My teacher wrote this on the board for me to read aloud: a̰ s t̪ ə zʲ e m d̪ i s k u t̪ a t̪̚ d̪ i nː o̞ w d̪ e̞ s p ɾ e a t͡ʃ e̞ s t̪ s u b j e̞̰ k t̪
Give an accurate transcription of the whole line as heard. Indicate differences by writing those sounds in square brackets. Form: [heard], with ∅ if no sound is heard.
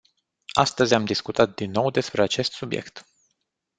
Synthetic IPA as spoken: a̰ s t̪ ə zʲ [a] m d̪ i s k u t̪ a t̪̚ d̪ i nː o̞ w d̪ e̞ s p ɾ e a t͡ʃ e̞ s t̪ s u b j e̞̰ k t̪